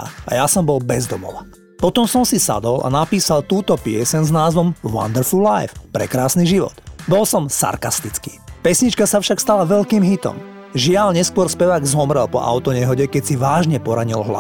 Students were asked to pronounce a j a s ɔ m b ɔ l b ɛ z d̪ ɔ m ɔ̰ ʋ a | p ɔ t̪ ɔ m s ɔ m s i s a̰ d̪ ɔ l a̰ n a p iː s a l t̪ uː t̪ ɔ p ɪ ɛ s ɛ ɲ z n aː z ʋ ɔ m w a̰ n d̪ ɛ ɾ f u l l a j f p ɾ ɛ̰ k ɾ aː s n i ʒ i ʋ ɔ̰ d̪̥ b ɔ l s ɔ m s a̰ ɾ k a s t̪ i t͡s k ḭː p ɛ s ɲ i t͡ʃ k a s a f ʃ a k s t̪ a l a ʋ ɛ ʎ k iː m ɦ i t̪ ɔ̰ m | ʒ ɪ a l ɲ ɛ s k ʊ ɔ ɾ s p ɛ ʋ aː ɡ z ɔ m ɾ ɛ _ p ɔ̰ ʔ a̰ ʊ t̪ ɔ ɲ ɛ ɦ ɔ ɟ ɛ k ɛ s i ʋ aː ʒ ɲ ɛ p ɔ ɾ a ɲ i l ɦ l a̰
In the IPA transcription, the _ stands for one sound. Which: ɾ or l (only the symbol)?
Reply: l